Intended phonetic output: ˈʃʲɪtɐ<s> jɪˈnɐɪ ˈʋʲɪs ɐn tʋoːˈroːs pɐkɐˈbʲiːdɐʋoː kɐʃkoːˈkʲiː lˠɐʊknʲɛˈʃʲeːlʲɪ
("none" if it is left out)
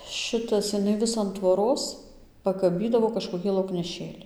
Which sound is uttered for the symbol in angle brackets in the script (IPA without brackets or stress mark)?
s